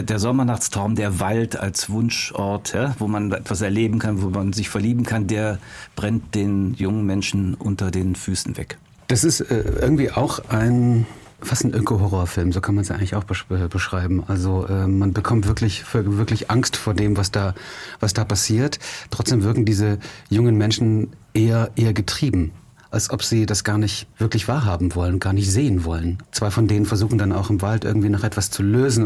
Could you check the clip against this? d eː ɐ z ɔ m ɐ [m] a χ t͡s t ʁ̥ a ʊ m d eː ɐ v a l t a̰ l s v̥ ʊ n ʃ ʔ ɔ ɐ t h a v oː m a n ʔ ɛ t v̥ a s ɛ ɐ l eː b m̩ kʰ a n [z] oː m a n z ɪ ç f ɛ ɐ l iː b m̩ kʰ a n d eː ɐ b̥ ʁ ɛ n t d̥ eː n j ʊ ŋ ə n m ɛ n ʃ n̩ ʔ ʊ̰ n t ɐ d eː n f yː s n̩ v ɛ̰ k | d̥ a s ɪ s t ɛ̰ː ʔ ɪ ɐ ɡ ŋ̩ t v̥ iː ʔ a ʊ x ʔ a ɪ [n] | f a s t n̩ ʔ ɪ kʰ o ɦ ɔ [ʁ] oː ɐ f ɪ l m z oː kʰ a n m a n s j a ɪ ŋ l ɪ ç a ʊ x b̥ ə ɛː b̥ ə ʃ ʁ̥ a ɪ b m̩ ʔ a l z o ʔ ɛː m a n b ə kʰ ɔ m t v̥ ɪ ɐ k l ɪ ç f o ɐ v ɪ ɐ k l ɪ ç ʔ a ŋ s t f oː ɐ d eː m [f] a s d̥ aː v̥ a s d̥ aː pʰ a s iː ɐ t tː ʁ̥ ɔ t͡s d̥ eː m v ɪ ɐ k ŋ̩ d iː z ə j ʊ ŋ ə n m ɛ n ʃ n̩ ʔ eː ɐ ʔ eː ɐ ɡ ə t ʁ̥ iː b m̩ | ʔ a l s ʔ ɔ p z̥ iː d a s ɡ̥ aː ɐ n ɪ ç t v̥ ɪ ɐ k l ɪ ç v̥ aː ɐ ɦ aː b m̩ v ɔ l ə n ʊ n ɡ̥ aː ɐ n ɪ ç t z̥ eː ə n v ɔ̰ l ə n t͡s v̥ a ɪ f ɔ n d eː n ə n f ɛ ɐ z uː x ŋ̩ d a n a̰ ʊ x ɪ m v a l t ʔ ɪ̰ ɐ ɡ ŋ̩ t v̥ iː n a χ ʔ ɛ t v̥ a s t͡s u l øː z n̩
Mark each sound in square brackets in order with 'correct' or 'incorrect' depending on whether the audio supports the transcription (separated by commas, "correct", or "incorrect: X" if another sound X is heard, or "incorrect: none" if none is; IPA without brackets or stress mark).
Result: incorrect: n, incorrect: v, correct, correct, incorrect: v